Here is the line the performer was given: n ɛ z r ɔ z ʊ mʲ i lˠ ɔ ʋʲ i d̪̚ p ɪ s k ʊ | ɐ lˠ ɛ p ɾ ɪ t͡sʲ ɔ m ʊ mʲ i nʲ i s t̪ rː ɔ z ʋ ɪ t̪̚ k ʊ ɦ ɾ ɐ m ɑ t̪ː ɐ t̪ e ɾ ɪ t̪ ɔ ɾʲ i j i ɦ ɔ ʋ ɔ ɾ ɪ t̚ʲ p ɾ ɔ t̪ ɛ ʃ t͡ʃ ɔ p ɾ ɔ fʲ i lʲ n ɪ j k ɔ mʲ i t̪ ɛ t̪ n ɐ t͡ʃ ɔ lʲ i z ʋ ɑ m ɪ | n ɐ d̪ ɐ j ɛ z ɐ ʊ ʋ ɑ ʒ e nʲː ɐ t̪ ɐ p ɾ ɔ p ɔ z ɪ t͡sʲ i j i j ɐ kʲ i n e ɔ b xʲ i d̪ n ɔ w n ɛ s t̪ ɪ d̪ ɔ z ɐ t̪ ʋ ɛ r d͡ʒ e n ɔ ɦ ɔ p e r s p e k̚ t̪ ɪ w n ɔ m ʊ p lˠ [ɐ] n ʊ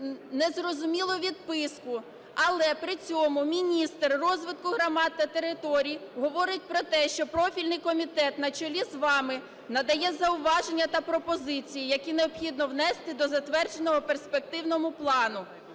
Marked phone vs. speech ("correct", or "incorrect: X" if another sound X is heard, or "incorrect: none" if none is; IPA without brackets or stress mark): incorrect: ɑ